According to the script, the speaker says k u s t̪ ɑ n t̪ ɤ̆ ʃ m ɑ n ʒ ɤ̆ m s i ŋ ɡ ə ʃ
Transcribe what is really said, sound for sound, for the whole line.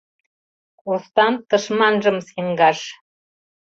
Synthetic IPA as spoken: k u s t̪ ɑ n t̪ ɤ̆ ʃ m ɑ n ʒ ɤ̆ m s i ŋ ɡ ɑ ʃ